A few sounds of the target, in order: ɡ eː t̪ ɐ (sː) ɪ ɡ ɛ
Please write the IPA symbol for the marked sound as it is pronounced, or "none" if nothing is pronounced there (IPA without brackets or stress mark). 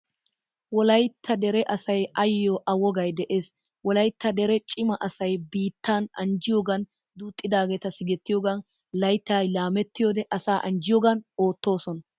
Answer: s